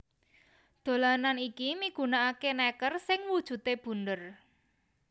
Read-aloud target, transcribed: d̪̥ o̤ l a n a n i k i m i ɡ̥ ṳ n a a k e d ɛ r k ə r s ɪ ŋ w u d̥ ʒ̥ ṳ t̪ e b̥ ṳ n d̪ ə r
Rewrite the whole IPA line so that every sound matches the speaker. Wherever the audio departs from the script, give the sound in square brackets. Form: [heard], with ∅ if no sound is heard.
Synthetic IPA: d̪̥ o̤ l a n a n i k i m i ɡ̥ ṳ n a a k e [n] ɛ [∅] k ə r s ɪ ŋ w u d̥ ʒ̥ ṳ t̪ e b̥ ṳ n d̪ ə r